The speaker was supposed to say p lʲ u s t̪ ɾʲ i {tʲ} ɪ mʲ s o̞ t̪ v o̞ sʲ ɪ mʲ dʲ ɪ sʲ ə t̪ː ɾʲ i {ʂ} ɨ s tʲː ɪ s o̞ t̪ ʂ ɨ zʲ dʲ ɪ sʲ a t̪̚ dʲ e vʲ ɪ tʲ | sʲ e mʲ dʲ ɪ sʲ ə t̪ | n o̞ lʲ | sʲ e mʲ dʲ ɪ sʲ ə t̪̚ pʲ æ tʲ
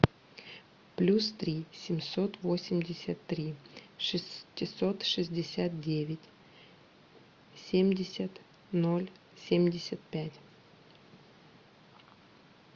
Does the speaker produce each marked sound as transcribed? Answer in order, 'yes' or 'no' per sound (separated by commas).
no, yes